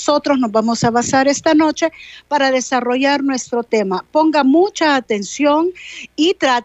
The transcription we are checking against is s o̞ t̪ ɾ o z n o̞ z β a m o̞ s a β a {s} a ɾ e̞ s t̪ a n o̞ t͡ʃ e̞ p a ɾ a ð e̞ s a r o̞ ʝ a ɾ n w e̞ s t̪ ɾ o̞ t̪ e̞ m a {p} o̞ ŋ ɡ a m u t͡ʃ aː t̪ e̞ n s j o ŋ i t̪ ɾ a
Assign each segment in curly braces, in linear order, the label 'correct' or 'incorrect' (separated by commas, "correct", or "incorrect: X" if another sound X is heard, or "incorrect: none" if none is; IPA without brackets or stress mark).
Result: correct, correct